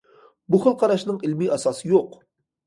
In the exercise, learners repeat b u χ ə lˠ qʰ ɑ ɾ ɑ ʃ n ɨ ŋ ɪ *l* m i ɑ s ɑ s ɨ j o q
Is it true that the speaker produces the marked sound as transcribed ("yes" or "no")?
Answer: yes